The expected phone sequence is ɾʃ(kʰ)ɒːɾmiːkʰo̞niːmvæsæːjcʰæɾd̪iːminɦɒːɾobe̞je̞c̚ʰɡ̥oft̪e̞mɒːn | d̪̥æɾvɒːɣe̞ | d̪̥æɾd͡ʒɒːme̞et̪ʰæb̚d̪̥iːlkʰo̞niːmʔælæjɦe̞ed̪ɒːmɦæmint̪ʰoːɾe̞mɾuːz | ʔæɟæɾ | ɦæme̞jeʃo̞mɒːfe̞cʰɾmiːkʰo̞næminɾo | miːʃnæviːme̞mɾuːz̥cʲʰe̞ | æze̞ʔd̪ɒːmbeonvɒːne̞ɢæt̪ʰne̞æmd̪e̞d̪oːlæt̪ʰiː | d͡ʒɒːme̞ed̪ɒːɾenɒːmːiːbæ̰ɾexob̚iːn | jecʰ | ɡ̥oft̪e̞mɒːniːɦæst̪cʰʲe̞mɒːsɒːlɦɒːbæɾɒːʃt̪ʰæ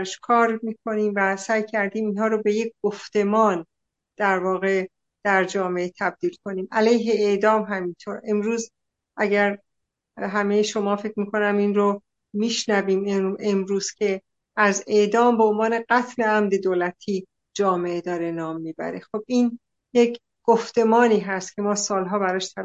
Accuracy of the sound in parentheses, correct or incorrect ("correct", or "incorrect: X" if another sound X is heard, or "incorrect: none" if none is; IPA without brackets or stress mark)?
correct